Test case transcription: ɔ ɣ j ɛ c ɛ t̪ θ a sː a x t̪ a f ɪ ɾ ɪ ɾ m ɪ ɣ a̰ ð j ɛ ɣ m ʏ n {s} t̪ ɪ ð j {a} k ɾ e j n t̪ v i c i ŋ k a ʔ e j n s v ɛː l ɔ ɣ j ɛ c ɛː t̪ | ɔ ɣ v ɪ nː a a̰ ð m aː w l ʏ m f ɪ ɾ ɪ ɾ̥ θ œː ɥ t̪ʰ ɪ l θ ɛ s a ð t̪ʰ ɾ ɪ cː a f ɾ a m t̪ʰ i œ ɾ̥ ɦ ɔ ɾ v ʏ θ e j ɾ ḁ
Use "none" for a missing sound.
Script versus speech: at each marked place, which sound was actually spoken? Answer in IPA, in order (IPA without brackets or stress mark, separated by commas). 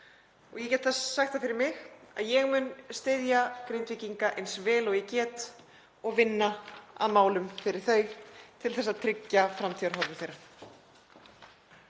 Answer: s, a